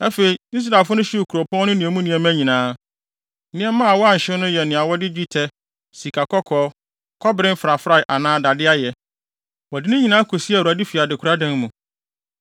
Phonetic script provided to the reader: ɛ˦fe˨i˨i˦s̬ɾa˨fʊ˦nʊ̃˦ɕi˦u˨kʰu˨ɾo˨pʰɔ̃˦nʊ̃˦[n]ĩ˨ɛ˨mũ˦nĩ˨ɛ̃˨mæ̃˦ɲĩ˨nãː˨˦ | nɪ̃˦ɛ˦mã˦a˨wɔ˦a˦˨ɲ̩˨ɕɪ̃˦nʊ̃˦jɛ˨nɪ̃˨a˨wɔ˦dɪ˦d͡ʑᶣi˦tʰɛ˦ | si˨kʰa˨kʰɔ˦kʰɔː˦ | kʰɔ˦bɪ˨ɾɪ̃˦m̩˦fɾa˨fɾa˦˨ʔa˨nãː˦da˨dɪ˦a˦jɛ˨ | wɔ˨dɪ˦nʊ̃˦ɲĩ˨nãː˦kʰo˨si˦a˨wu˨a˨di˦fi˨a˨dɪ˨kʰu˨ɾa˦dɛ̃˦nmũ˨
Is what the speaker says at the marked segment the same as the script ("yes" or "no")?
yes